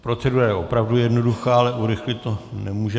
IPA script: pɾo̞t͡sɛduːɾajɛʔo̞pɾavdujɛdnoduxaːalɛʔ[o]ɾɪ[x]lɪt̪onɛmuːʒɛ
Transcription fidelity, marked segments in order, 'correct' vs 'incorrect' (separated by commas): incorrect, correct